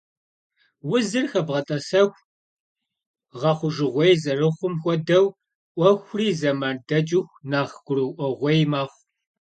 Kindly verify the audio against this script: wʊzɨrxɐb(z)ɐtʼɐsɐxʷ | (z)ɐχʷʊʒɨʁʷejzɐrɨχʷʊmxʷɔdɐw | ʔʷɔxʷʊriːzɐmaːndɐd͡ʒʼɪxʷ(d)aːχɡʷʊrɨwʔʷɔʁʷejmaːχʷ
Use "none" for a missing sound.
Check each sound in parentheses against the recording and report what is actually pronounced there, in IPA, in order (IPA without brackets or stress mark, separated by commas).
ʁ, ʁ, n